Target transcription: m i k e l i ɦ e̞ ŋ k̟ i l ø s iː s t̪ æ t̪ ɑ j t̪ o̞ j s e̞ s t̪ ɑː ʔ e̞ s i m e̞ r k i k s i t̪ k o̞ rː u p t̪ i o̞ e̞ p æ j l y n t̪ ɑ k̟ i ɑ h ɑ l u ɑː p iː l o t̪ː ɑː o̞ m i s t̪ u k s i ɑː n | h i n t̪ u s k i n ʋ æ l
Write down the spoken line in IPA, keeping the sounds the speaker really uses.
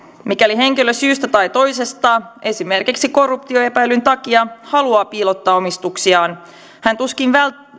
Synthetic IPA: m i k æ l i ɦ e̞ ŋ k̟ i l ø s yː s t̪ æ t̪ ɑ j t̪ o̞ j s e̞ s t̪ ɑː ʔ e̞ s i m e̞ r k i k s i k o̞ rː u p t̪ i o̞ e̞ p æ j l y n t̪ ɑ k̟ i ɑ h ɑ l u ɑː p iː l o t̪ː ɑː o̞ m i s t̪ u k s i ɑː n | h æ n t̪ u s k i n ʋ æ l